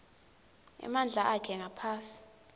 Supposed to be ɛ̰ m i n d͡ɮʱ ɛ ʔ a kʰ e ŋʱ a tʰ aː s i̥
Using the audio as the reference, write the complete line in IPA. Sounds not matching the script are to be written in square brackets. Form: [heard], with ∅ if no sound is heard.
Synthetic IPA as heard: ɛ̰ m [a] n d͡ɮʱ [a] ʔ a kʰ [ɛ] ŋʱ a [pʰ] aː s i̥